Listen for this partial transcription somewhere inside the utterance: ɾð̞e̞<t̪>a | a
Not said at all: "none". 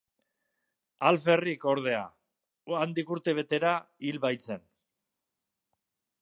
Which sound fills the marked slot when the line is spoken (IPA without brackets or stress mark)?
none